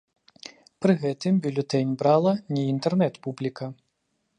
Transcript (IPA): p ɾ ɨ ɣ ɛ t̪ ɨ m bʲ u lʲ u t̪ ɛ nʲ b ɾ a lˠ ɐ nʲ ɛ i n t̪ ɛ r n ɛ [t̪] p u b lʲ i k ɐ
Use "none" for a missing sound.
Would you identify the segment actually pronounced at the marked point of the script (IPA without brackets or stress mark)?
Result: t̪